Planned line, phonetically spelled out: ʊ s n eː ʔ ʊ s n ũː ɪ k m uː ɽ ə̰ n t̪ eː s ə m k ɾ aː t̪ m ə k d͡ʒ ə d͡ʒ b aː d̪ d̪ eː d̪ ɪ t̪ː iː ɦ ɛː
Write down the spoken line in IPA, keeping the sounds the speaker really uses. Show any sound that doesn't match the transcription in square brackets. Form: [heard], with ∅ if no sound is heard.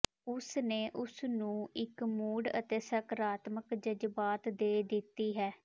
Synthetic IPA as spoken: ʊ s n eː ʔ ʊ s n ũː ɪ k m uː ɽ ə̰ [∅] t̪ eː s ə [∅] k ɾ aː t̪ m ə k d͡ʒ ə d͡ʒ b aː [t̪] d̪ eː d̪ ɪ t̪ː iː ɦ ɛː

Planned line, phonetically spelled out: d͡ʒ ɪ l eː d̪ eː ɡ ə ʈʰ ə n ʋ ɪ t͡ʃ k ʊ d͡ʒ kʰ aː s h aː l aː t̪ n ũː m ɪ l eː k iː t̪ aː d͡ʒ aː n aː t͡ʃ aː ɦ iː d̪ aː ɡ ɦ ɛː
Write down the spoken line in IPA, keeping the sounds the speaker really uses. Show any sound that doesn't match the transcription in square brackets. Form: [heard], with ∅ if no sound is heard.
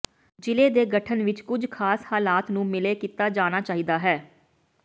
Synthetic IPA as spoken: d͡ʒ ɪ l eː d̪ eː ɡ ə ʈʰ ə n ʋ ɪ t͡ʃ k ʊ d͡ʒ kʰ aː s h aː l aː t̪ n ũː m ɪ l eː k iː t̪ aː d͡ʒ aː n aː t͡ʃ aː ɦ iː d̪ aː [∅] ɦ ɛː

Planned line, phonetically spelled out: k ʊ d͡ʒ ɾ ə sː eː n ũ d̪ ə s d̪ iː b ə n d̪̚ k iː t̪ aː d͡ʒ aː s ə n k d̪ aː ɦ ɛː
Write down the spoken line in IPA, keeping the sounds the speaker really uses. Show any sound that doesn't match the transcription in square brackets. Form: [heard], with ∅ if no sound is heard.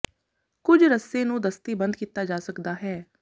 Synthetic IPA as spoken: k ʊ d͡ʒ ɾ ə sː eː n [ũː] d̪ ə s [t̪] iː b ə n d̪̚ k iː t̪ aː d͡ʒ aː s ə [∅] k d̪ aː ɦ ɛː

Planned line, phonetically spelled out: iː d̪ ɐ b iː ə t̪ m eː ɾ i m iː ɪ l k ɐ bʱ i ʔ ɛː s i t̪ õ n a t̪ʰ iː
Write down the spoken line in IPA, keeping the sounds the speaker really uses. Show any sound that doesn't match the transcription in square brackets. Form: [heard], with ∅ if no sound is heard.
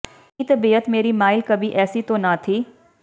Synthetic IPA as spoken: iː [t̪] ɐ b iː ə t̪ m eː ɾ i m [aː] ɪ l k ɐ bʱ i ʔ ɛː s i t̪ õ n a t̪ʰ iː

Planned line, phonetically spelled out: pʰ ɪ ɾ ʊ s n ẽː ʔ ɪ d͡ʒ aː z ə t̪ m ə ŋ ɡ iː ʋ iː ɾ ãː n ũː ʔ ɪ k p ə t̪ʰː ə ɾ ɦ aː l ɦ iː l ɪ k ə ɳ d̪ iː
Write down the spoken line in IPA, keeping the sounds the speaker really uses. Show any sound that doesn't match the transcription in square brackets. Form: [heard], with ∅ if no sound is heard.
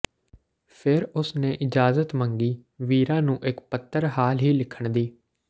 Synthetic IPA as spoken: pʰ ɪ ɾ ʊ s n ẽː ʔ ɪ d͡ʒ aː z ə t̪ m ə ŋ ɡ iː ʋ iː ɾ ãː n ũː ʔ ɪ k p ə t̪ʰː ə ɾ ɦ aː l ɦ iː l ɪ [kʰ] ə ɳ d̪ iː

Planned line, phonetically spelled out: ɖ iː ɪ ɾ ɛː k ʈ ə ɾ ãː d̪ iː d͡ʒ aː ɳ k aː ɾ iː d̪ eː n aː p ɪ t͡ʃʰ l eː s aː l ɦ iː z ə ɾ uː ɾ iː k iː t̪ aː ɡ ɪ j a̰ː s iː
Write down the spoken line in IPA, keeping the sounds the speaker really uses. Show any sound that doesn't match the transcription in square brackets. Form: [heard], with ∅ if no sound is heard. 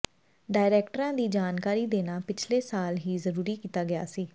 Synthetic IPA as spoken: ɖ [aː] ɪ ɾ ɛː k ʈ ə ɾ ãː d̪ iː d͡ʒ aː [n] k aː ɾ iː d̪ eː n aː p ɪ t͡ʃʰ l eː s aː l ɦ iː z ə ɾ uː ɾ iː k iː t̪ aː ɡ ɪ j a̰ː s iː

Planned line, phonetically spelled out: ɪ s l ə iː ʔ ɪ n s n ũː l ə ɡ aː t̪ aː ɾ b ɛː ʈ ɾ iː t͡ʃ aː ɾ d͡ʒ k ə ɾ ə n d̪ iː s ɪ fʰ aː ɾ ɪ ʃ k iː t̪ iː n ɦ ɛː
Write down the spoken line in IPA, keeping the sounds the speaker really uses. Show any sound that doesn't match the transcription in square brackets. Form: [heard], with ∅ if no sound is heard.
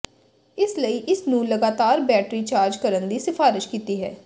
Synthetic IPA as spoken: ɪ s l ə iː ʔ ɪ [∅] s n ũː l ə ɡ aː t̪ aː ɾ b ɛː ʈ ɾ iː t͡ʃ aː ɾ d͡ʒ k ə ɾ ə n d̪ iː s ɪ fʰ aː ɾ ɪ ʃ k iː t̪ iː [∅] ɦ ɛː

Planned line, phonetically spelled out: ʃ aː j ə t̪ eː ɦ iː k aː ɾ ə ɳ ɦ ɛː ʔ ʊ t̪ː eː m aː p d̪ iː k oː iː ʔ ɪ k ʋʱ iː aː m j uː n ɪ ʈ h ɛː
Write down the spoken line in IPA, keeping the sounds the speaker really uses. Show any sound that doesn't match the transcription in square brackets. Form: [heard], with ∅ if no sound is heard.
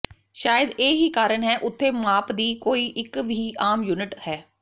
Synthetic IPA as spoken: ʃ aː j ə [d̪] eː ɦ iː k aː ɾ ə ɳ ɦ ɛː ʔ ʊ [t̪ʰː] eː m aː p d̪ iː k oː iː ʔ ɪ k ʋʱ iː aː m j uː n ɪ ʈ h ɛː

